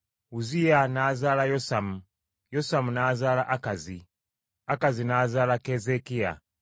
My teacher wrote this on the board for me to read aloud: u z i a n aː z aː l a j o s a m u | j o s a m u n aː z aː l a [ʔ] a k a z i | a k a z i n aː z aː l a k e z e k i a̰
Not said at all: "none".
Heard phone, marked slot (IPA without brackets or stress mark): ʔ